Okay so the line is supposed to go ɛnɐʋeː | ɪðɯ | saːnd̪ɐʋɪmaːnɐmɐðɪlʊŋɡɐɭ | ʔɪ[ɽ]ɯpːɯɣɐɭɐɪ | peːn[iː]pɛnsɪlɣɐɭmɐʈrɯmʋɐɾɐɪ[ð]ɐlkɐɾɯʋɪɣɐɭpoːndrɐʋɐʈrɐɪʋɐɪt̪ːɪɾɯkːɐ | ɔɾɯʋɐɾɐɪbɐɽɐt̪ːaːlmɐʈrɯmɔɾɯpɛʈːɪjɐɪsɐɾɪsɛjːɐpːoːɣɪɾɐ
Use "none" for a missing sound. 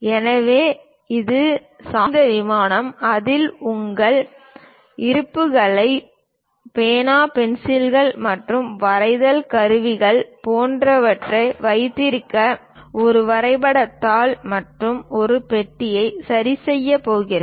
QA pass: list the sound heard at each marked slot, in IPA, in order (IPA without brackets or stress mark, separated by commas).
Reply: ɾ, aː, ð